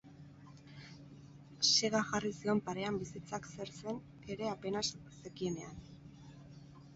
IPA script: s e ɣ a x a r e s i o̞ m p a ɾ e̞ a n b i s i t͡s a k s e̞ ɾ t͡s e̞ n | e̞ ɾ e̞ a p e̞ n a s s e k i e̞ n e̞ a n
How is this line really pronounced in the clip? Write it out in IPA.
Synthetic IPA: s e ɣ a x a r i s i o̞ m p a ɾ e̞ a m b i s i t͡s a k s e̞ ɾ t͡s e̞ n | e̞ ɾ e̞ a p e̞ n a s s e k i e̞ n e̞ a n